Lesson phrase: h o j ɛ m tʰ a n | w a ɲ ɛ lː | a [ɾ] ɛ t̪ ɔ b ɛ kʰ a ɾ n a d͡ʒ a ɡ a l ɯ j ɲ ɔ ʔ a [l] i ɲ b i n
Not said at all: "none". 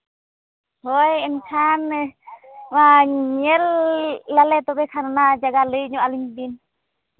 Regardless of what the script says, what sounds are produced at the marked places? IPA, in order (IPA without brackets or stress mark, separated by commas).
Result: l, l